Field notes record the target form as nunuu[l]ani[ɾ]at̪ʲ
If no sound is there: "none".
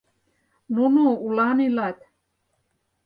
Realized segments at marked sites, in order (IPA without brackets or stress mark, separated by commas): l, l